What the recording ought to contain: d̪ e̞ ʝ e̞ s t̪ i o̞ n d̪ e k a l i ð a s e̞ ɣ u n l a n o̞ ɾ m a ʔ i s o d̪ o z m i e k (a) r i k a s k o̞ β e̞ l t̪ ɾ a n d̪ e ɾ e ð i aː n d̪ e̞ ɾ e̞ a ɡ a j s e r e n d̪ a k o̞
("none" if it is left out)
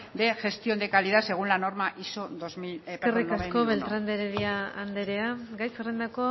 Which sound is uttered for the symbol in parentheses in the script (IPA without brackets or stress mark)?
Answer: e